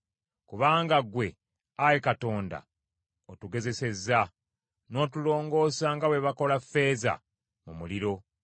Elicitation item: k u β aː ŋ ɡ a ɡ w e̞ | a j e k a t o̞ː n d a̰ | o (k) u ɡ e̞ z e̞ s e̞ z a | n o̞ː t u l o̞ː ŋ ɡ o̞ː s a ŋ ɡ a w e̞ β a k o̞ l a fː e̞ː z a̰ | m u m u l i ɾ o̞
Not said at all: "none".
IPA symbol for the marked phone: t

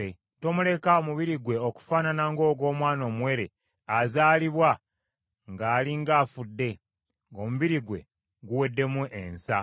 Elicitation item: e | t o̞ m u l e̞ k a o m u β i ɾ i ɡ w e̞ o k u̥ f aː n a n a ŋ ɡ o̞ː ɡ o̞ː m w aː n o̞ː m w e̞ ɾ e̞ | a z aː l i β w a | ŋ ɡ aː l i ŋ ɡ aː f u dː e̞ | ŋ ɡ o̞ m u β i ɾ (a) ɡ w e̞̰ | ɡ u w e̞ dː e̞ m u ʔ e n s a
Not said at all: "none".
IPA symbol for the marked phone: i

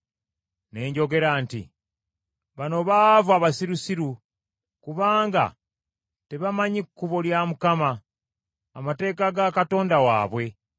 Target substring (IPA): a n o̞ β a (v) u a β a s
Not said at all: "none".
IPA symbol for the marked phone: v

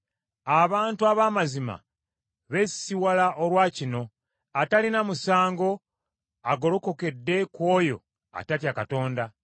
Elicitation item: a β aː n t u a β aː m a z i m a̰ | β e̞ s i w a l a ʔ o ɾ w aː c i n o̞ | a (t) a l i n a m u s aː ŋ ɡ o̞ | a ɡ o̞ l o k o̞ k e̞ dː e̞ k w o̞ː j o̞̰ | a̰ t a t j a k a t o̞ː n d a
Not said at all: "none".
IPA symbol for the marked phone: t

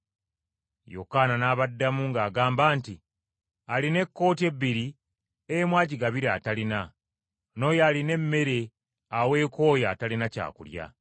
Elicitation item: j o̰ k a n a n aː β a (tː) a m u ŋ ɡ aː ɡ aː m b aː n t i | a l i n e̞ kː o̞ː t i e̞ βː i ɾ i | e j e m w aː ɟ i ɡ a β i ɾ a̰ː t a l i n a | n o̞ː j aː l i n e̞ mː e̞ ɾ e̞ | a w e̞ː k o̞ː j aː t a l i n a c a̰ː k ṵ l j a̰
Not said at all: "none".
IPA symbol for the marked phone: dː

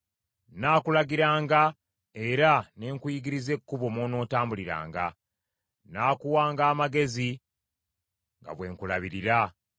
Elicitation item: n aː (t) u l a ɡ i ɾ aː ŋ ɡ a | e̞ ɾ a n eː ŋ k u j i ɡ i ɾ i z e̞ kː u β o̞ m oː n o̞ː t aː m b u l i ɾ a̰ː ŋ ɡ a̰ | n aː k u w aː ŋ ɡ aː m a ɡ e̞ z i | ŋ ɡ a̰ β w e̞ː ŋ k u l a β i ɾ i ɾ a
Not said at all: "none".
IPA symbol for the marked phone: k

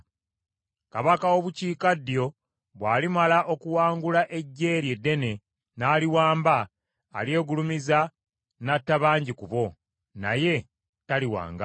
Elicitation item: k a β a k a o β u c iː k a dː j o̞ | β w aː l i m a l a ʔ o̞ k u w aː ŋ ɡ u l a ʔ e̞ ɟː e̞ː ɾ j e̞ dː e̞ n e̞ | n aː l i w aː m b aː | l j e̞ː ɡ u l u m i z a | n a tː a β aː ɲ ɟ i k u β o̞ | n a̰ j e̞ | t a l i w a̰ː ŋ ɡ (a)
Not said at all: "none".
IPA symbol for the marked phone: a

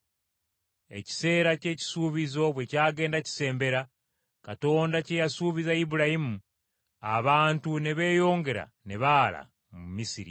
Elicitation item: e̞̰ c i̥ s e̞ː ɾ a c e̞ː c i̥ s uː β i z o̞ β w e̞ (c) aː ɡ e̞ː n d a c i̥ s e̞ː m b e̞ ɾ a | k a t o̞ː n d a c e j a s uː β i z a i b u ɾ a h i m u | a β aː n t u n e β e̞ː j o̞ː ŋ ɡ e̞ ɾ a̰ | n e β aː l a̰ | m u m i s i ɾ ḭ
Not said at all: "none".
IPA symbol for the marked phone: c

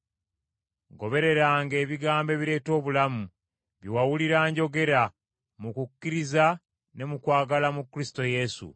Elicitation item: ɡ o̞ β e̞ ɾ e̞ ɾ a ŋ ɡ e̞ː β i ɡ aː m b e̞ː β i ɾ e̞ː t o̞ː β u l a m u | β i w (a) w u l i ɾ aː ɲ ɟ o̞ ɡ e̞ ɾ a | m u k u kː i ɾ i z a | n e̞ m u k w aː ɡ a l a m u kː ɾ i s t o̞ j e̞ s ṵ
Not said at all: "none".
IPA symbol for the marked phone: a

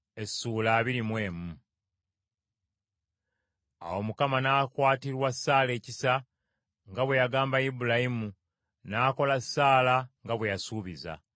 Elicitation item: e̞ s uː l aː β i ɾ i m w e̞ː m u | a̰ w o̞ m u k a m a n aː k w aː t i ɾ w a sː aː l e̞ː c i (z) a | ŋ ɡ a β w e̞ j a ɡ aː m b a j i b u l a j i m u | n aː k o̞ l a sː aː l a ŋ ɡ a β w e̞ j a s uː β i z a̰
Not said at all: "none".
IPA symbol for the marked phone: s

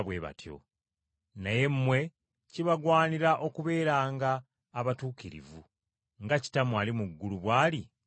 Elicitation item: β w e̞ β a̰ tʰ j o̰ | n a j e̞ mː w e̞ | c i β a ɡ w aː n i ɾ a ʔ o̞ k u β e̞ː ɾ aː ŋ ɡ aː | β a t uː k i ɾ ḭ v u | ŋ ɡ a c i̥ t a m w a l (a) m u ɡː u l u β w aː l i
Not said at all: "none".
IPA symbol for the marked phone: i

